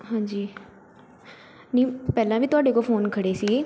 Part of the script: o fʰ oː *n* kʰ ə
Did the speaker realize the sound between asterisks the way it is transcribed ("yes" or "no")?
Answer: yes